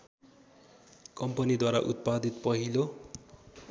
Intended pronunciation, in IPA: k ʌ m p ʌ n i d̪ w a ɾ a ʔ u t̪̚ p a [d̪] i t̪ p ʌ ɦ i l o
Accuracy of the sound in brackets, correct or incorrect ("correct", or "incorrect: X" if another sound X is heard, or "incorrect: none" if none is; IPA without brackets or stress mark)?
correct